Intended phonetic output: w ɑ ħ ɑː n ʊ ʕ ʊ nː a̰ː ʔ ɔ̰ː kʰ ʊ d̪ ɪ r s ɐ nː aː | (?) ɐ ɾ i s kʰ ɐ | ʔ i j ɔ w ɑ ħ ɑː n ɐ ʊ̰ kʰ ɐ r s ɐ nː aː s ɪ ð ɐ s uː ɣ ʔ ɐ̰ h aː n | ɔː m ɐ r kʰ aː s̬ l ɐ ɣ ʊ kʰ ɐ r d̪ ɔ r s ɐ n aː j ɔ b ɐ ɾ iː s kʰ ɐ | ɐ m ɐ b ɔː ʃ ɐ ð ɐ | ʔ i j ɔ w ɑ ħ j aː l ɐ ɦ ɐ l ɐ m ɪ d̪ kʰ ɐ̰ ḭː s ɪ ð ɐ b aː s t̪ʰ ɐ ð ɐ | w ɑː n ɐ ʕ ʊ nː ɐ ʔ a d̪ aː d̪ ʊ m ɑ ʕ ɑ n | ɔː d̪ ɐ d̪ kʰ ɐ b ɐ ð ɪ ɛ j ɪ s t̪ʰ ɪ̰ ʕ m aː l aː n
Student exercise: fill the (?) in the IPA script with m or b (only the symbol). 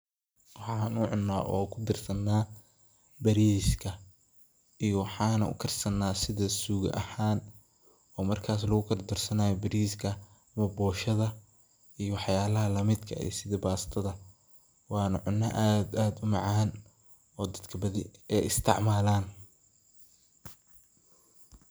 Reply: b